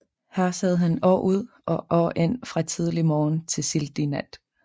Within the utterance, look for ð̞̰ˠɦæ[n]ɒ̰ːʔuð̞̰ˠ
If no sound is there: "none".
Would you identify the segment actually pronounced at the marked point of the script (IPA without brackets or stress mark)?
n